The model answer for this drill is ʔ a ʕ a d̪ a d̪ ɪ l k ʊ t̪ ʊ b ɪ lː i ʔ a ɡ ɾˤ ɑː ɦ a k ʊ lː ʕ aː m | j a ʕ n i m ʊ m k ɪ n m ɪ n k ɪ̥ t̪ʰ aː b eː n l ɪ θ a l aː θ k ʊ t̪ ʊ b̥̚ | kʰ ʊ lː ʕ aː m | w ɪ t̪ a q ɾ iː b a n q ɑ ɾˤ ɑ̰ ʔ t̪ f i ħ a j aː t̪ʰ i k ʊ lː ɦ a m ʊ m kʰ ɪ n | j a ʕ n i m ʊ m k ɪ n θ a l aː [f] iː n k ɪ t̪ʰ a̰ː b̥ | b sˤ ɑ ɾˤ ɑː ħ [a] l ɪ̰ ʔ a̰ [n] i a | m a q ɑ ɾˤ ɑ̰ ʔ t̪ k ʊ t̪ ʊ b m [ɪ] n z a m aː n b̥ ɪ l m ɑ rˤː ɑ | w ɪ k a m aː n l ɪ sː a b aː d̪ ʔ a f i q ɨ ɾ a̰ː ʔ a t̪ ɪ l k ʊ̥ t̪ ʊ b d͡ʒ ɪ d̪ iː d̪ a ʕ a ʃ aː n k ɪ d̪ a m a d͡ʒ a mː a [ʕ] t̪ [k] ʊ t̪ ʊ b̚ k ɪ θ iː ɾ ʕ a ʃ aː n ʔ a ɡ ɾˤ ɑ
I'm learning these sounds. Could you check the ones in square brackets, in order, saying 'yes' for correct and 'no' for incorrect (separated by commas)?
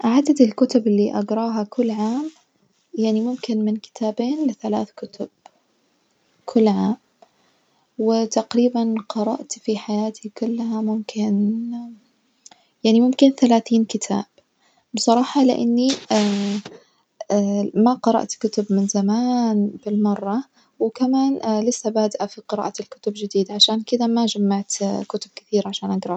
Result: no, no, no, yes, yes, yes